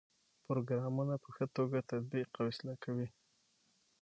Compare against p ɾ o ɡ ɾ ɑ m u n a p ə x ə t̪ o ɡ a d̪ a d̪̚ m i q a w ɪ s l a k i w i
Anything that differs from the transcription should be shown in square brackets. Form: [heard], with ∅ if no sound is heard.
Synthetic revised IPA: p ɾ o ɡ ɾ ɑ m u n a p ə x ə t̪ o ɡ a [t̪] a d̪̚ [b] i q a w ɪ s l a k [a] w i